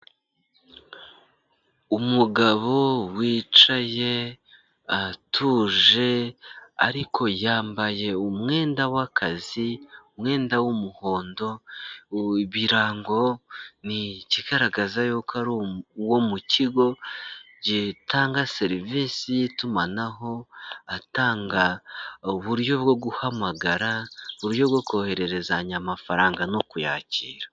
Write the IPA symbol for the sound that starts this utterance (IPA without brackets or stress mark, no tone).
u